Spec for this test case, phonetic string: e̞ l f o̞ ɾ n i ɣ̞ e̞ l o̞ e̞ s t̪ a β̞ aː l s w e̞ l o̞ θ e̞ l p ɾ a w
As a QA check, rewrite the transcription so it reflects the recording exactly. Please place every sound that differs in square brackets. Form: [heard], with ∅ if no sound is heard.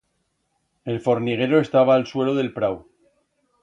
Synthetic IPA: e̞ l f o̞ ɾ n i ɣ̞ e̞ [ɾ] o̞ e̞ s t̪ a β̞ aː l s w e̞ l o̞ [ð] e̞ l p ɾ a w